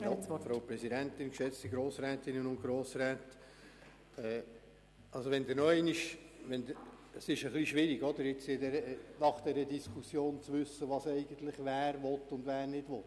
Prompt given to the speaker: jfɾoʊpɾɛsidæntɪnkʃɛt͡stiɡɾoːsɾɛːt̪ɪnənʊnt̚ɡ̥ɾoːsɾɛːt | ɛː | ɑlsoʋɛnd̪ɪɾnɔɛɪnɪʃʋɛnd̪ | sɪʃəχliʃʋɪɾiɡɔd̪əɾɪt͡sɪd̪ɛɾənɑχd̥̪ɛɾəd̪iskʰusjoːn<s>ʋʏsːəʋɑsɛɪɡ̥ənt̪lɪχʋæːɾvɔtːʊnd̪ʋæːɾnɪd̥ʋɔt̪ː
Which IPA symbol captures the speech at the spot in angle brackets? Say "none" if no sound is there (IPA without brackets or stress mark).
t͡s